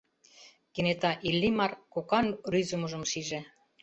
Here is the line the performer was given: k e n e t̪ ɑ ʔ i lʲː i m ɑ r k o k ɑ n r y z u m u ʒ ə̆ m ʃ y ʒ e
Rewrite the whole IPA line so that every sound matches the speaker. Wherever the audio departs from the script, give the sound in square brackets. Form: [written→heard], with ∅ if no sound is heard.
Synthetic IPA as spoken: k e n e t̪ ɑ ʔ i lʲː i m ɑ r k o k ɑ n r y z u m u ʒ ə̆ m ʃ [y→i] ʒ e